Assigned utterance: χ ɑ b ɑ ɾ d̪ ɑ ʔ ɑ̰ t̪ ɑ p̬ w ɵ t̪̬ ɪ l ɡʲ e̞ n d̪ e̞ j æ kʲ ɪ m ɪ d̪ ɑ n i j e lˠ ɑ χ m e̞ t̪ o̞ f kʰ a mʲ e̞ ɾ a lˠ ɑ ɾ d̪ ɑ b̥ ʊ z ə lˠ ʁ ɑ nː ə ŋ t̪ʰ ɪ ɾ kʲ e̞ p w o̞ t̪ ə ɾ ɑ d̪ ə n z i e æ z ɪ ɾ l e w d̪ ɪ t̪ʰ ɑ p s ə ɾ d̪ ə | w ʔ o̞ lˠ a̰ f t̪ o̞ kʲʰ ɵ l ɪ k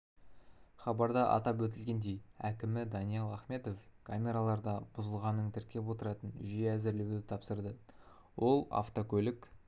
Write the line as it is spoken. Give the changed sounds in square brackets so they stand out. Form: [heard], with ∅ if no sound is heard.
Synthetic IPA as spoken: χ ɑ b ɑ ɾ d̪ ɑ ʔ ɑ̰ t̪ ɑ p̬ w ɵ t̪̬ ɪ l ɡʲ e̞ n d̪ e̞ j æ kʲ ɪ m ɪ d̪ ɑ n i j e lˠ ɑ χ m e̞ t̪ o̞ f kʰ a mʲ e̞ ɾ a lˠ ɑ ɾ d̪ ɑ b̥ ʊ z ə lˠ ʁ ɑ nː ə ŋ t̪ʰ ɪ ɾ kʲ e̞ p w o̞ t̪ ə ɾ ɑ [t̪] ə n [ʒ] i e æ z ɪ ɾ l e w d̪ ɪ t̪ʰ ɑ p s ə ɾ d̪ ə | w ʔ o̞ lˠ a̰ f t̪ o̞ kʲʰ ɵ l ɪ k

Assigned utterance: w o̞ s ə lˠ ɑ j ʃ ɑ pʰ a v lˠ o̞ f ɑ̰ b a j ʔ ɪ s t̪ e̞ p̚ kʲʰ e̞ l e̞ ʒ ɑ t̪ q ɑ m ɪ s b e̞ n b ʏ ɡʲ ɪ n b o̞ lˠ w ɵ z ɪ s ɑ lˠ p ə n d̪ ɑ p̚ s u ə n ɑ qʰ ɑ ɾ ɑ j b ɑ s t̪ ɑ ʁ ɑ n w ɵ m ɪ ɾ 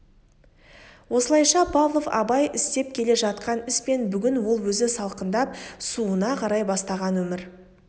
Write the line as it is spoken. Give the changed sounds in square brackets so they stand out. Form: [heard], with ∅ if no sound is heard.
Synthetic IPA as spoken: w o̞ s ə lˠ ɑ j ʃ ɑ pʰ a v lˠ o̞ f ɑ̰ b [ɑ] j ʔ ɪ s t̪ e̞ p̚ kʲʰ e̞ l e̞ ʒ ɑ t̪ q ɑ [n] ɪ s [p] e̞ n b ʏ ɡʲ ɪ n [w] o̞ lˠ w ɵ z ɪ s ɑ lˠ [q] ə n d̪ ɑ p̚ s u ə n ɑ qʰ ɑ ɾ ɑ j b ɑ s t̪ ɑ ʁ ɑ n w ɵ m ɪ ɾ

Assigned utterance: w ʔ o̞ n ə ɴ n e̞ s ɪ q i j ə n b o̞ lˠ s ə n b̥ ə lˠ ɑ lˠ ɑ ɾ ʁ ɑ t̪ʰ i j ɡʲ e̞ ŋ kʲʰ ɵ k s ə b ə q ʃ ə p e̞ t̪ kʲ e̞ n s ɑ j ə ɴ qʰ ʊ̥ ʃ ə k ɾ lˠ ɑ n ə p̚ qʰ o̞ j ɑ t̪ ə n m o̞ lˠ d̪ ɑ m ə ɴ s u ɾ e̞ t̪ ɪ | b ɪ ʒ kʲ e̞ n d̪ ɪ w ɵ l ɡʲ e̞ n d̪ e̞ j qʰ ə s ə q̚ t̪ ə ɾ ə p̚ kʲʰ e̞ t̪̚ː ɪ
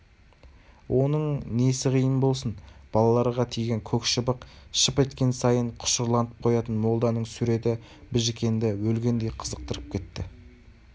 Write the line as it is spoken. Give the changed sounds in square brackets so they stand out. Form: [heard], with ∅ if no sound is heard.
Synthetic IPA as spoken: w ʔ o̞ n ə ɴ n e̞ s ɪ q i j ə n b o̞ lˠ s ə n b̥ [ɑ] lˠ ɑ lˠ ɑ ɾ ʁ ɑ t̪ʰ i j ɡʲ e̞ ŋ kʲʰ ɵ k [ʃ] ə b ə q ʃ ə p e̞ t̪ kʲ e̞ n s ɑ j ə ɴ qʰ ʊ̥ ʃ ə [∅] ɾ lˠ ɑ n ə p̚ qʰ o̞ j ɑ t̪ ə n m o̞ lˠ d̪ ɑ [n] ə ɴ s u ɾ e̞ t̪ ɪ | b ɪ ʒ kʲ e̞ n d̪ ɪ w ɵ l ɡʲ e̞ n d̪ e̞ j qʰ ə [z] ə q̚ t̪ ə ɾ ə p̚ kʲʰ e̞ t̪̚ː ɪ

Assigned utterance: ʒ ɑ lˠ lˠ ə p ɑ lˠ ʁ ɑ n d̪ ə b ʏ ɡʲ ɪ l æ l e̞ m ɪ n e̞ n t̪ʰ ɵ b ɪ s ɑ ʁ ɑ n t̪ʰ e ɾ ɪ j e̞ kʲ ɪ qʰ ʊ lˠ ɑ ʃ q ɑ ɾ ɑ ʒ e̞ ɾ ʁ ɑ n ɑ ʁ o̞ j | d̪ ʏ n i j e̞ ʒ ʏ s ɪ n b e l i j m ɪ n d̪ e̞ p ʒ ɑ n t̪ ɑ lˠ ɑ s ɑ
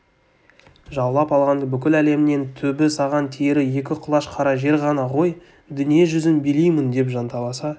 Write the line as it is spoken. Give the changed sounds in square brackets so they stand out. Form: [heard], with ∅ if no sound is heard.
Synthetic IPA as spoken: ʒ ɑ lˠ lˠ [ɑ] p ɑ lˠ ʁ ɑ n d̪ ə b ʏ [kʲ] ɪ l æ l e̞ m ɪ n e̞ n t̪ʰ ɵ b ɪ s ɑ ʁ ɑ n t̪ʰ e ɾ ɪ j e̞ kʲ ɪ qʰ ʊ lˠ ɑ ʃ [qʰ] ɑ ɾ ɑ ʒ e̞ ɾ ʁ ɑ n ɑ ʁ o̞ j | d̪ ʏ n i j e̞ ʒ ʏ [z] ɪ n b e l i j m ɪ n d̪ e̞ p ʒ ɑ n t̪ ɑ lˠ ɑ s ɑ

